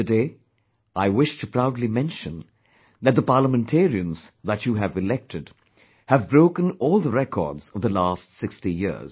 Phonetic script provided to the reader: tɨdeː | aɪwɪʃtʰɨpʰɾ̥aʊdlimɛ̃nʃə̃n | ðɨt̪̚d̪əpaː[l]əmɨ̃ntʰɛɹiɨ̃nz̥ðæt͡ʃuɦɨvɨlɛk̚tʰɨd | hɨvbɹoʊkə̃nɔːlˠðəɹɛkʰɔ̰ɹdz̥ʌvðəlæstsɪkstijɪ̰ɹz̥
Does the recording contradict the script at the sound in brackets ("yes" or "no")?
no